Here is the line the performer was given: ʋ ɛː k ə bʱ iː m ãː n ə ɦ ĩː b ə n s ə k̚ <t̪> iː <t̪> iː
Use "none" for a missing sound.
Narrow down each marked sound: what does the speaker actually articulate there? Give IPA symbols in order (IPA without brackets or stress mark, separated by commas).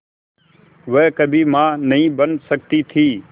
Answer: t̪, t̪ʰ